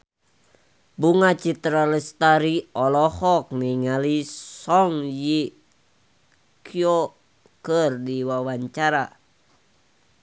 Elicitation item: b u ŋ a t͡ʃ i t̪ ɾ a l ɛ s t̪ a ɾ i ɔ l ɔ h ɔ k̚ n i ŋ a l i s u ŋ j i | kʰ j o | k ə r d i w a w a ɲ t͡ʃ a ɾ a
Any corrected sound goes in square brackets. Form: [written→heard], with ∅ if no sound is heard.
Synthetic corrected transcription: b u ŋ a t͡ʃ i t̪ ɾ a l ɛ s t̪ a ɾ i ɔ l ɔ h ɔ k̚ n i ŋ a l i s [u→ɔ] ŋ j i | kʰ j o | k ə r d i w a w a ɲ t͡ʃ a ɾ a